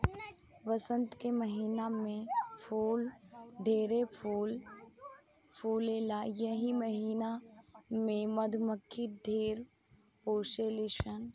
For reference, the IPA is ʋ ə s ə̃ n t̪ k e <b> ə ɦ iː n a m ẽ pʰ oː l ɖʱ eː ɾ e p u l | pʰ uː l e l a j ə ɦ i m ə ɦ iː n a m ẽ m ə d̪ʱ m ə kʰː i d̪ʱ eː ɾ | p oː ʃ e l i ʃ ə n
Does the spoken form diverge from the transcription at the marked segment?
yes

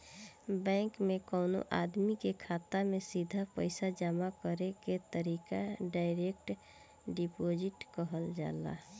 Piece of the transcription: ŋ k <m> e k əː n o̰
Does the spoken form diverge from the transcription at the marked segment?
no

